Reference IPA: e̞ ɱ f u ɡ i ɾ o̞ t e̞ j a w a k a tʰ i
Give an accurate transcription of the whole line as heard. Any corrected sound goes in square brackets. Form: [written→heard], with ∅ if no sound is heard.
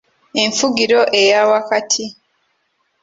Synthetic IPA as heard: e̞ ɱ f u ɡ i ɾ o̞ [t→ʔ] e̞ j a w a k a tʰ i